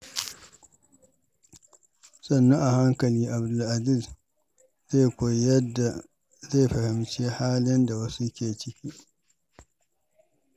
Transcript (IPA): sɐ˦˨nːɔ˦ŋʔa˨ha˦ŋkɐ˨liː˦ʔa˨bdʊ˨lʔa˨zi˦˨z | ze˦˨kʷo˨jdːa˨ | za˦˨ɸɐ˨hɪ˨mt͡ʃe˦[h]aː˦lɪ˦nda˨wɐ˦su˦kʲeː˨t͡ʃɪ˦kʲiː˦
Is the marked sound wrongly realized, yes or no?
no